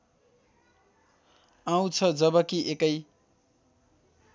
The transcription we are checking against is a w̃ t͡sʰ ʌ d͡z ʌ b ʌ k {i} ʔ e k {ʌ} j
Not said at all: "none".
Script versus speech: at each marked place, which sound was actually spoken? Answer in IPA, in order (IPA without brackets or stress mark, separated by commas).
i, ʌ